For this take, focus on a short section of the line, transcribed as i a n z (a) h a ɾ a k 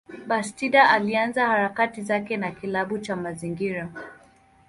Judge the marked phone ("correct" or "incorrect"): correct